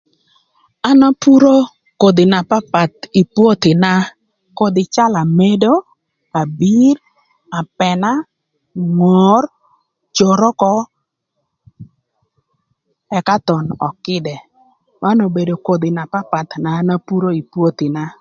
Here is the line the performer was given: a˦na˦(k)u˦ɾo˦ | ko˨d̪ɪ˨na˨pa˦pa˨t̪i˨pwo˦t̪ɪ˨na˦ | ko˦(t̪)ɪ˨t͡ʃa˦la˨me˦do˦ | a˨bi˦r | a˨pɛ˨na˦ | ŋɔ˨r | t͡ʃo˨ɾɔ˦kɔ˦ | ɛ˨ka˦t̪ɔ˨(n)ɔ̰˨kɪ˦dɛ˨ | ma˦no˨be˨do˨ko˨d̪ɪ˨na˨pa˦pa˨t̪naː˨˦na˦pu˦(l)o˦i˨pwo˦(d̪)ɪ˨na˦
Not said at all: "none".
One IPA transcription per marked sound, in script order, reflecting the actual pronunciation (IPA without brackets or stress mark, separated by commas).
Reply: p, d̪, n, ɾ, t̪